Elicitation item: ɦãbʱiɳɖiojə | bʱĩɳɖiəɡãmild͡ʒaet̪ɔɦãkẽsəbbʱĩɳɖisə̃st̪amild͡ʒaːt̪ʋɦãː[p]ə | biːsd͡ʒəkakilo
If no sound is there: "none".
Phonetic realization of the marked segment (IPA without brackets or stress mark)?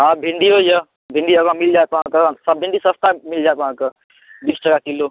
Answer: k